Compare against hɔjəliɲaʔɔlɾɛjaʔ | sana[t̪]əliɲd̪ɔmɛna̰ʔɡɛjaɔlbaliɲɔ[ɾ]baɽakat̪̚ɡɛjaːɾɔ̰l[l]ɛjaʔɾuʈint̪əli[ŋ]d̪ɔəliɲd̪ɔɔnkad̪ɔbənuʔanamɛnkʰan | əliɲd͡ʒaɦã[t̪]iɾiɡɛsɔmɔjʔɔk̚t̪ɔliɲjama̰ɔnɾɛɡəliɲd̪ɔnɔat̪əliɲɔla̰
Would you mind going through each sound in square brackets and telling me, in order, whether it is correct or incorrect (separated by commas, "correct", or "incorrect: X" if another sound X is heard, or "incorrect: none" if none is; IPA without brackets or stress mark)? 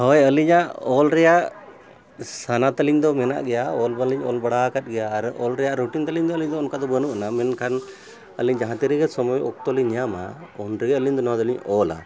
correct, incorrect: l, incorrect: ɾ, incorrect: ɲ, correct